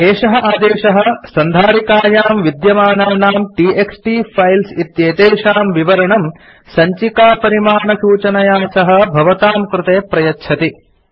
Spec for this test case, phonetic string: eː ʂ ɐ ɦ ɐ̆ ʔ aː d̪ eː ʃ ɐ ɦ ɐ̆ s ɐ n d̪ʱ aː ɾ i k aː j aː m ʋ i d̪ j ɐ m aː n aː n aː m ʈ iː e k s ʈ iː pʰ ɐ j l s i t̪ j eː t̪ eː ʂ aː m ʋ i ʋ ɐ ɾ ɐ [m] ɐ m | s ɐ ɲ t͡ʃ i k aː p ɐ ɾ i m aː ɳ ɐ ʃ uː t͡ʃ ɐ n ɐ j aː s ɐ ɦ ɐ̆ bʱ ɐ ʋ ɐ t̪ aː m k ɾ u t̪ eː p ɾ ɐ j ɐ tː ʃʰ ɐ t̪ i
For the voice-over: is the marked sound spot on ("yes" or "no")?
no